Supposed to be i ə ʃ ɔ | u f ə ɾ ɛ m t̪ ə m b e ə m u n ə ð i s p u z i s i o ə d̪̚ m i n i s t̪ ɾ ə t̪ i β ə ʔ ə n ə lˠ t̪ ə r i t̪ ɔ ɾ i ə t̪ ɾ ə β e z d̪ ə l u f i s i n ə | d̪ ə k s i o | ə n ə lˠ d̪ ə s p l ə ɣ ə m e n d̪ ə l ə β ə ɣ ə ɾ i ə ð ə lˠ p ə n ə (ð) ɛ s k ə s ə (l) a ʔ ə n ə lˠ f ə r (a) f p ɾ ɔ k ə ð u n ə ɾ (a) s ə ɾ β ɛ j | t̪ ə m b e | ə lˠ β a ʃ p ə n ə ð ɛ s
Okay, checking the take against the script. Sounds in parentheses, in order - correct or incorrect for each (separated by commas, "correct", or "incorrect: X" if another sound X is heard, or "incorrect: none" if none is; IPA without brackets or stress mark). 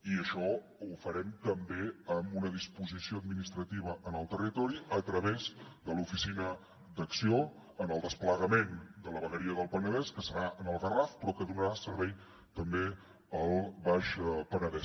correct, incorrect: ɾ, correct, correct